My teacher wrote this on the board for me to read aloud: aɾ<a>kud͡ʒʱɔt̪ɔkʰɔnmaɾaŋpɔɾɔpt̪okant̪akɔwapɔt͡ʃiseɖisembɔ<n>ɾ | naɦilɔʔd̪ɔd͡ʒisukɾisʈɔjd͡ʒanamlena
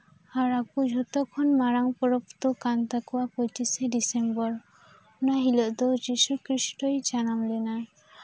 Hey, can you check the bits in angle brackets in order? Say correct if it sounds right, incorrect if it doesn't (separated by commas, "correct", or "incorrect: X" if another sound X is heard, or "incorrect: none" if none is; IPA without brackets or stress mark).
correct, incorrect: none